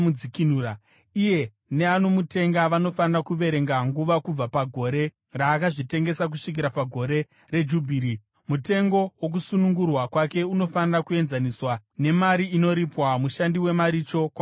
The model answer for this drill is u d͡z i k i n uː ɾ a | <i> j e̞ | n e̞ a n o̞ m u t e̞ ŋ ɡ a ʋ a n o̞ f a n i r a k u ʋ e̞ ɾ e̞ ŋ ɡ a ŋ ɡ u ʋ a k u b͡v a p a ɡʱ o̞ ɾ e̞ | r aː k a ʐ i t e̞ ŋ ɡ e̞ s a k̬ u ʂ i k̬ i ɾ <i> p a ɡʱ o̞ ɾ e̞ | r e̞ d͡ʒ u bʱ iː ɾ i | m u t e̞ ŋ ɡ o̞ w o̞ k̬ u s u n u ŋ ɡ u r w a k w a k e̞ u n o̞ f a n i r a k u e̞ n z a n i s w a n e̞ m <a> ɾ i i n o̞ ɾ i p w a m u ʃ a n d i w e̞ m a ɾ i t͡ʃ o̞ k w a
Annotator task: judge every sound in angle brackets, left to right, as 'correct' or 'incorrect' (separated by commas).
correct, incorrect, correct